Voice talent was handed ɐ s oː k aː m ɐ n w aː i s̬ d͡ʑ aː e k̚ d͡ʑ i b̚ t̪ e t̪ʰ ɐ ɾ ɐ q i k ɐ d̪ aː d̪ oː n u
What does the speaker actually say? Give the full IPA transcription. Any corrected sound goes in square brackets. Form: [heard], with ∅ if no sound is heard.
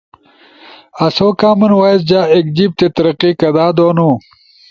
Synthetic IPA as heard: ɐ s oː k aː m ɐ n w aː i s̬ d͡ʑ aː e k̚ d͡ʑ i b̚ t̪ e [t̪] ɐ ɾ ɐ q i k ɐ d̪ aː d̪ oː n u